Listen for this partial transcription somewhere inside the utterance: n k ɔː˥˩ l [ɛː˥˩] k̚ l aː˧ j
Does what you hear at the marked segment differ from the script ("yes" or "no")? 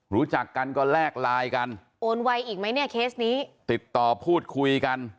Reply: no